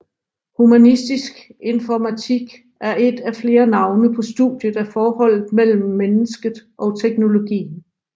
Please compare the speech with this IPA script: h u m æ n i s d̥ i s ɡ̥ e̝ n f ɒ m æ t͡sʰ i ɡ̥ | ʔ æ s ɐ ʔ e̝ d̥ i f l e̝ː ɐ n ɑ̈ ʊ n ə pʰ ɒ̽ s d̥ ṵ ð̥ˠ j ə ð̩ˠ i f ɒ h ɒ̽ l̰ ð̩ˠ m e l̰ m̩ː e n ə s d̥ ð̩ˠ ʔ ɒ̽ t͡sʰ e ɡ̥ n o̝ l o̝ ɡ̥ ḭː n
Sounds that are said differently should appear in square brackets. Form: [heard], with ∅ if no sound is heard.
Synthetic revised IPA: h u m æ n i s d̥ i s ɡ̥ e̝ n f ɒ m æ t͡sʰ i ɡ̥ | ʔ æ [∅] ɐ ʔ e̝ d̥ [æ] f l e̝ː ɐ n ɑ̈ ʊ n ə pʰ ɒ̽ s d̥ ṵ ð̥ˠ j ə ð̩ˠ [æ] f [ɒː] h ɒ̽ l̰ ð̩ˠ m e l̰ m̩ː e n ə s [ɡ̥] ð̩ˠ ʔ ɒ̽ t͡sʰ e ɡ̥ n o̝ l o̝ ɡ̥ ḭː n